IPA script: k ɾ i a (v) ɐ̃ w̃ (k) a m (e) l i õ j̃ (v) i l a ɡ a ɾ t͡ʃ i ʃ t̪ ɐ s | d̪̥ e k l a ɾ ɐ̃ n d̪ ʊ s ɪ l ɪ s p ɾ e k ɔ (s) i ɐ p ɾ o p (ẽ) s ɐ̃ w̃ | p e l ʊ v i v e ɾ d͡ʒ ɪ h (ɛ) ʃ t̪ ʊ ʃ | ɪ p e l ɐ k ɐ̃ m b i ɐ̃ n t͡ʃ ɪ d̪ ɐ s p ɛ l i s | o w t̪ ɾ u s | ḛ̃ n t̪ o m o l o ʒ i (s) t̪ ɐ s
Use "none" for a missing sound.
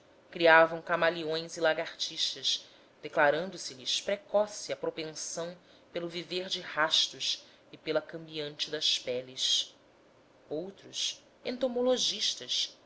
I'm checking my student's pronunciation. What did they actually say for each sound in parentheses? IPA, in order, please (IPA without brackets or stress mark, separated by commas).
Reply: v, k, a, z, s, ẽ, a, ʃ